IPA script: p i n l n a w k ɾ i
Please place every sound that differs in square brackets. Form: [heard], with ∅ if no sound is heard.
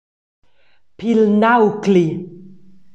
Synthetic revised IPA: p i [∅] l n a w k [l] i

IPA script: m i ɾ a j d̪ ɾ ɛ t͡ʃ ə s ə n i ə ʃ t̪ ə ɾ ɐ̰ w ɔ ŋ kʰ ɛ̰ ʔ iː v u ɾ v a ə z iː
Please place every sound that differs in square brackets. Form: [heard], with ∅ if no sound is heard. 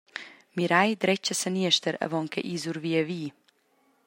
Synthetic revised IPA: m i ɾ a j d̪ ɾ ɛ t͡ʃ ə s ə n i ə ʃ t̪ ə ɾ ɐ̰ [v] ɔ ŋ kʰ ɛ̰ ʔ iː [z] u ɾ v [i] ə [v] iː

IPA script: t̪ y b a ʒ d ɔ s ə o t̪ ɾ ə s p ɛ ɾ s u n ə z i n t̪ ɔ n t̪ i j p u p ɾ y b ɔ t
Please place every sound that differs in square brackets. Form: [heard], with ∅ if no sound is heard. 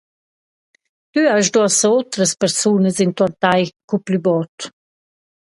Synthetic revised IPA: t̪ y [∅] a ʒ d ɔ s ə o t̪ ɾ ə s p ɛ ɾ s u n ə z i n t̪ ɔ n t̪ [a] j [k] u p [l] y b ɔ t

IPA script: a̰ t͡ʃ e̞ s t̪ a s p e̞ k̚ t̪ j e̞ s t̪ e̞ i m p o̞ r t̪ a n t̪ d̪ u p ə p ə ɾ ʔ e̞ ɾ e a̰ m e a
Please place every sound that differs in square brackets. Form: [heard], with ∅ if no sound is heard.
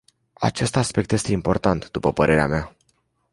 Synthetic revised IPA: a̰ t͡ʃ e̞ s t̪ a s p e̞ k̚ t̪ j e̞ s t̪ e̞ i m p o̞ r t̪ a n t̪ d̪ u p ə p ə ɾ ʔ e̞ ɾ e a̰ m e a

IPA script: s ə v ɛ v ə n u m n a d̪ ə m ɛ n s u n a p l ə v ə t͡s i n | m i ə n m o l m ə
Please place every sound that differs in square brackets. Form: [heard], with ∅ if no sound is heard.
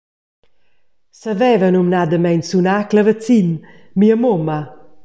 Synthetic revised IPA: s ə v ɛ v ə n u m n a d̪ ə m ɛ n s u n a [k] l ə v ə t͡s i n | m i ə [∅] m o [∅] m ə

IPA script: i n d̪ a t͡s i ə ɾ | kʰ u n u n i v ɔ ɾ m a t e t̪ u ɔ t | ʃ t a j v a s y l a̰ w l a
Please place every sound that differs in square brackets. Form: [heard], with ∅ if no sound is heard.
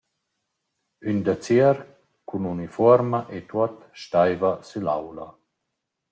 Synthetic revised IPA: [y] n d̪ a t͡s i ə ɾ | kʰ u n u n i [f] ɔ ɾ m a [ʔ] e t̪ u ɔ t | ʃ t a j v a s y l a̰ w l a

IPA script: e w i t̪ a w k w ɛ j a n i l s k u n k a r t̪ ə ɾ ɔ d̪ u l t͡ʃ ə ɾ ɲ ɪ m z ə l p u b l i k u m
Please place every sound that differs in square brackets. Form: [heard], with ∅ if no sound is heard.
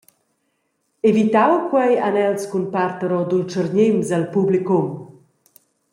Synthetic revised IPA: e [v] i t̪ a w k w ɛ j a n [ɛ] l s k u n [p] a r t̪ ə ɾ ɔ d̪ u l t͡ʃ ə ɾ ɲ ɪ m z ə l p u b l i k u m

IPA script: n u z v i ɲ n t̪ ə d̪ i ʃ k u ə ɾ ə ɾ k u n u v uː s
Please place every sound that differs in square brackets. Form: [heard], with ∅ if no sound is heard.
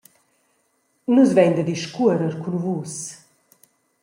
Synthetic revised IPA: n u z v [ɛ] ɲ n [d̪] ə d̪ i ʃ k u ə ɾ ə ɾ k u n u v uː s

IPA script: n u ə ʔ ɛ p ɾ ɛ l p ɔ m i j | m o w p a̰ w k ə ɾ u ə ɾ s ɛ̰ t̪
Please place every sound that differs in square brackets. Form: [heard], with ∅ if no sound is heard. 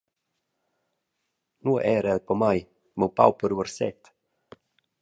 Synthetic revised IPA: n u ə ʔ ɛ [∅] ɾ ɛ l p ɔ m [a] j | m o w p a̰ w [p] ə ɾ u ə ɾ s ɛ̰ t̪

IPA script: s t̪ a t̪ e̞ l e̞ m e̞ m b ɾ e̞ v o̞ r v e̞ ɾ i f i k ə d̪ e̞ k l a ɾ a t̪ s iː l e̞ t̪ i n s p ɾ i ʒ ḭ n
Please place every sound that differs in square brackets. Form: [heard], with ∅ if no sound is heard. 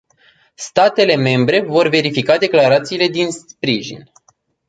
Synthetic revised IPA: s t̪ a t̪ e̞ l e̞ m e̞ m b ɾ e̞ v o̞ r v e̞ ɾ i f i k [a] d̪ e̞ k l a ɾ a t̪ s iː l e̞ [d̪] i n s p ɾ i ʒ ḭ n

